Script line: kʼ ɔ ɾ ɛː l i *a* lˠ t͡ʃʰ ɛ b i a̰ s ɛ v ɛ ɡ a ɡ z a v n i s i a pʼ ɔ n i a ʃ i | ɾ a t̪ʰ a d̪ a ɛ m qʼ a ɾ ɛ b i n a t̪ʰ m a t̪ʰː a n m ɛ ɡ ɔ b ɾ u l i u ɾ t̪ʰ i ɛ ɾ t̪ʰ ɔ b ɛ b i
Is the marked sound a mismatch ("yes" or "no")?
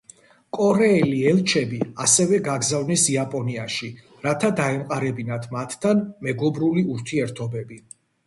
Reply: yes